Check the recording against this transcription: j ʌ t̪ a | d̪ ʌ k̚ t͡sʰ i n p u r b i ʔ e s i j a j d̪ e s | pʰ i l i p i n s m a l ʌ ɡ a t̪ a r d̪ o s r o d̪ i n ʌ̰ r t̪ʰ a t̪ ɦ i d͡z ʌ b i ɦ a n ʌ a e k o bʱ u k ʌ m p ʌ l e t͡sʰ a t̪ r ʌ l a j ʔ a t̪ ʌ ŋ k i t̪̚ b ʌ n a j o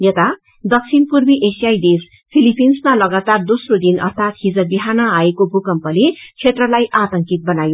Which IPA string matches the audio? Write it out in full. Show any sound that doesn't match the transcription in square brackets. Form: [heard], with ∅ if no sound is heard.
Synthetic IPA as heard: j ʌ t̪ a | d̪ ʌ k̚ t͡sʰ i n p u r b i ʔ e s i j a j d̪ e s | pʰ i l i p i n s m a l ʌ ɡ a t̪ a r d̪ o s r o d̪ i n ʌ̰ r t̪ʰ a t̪ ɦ i d͡z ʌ b i ɦ a n ʌ a e k o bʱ u k ʌ m p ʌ l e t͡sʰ [e] t̪ r ʌ l a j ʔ a t̪ ʌ ŋ k i t̪̚ b ʌ n a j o